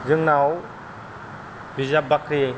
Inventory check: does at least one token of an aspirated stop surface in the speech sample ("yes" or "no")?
no